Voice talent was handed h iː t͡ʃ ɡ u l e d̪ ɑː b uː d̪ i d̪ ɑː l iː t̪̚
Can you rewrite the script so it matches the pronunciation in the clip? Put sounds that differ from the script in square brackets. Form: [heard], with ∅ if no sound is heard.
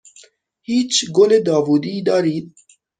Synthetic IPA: h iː t͡ʃ ɡ [o] l e d̪ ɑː [v] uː d̪ i d̪ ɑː [ɾ] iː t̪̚